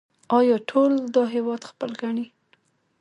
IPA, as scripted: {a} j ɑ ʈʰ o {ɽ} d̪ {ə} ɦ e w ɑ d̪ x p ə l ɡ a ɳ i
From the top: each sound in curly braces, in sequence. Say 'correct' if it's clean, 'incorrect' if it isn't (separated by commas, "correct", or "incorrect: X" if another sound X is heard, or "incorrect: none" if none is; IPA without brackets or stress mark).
incorrect: ɑ, incorrect: l, incorrect: ɑ